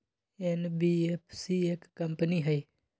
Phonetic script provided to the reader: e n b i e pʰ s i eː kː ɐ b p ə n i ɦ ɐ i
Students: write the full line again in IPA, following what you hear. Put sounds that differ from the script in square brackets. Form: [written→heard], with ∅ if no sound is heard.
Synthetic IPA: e n b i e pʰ s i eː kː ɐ [b→m] p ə n i ɦ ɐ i